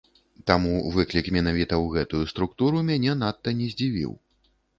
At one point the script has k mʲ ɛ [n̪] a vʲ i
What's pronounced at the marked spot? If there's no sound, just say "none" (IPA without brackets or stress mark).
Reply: n̪